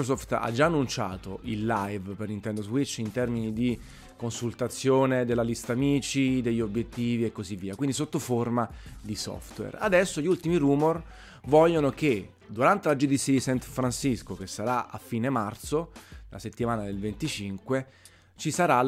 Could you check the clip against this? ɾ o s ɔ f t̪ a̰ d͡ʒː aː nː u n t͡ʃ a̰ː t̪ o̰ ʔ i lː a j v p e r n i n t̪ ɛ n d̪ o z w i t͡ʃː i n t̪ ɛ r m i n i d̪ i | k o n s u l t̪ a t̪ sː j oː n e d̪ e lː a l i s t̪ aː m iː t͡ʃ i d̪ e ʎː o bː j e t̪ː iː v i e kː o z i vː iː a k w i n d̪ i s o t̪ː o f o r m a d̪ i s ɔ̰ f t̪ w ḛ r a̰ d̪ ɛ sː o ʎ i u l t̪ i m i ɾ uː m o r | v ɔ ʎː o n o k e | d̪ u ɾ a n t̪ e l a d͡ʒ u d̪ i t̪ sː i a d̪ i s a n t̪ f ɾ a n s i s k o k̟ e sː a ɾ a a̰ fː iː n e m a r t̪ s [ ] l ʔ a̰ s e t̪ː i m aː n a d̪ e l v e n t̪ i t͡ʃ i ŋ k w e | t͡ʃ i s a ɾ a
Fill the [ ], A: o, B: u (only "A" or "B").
A